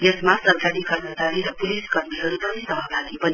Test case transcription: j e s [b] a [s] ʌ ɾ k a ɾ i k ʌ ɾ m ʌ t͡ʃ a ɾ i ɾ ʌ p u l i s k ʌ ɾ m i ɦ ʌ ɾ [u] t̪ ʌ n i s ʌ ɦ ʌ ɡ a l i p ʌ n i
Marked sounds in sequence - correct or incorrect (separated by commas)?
incorrect, correct, correct